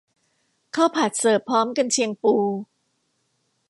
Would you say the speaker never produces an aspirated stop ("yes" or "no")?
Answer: no